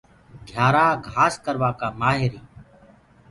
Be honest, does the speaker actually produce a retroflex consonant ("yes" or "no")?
no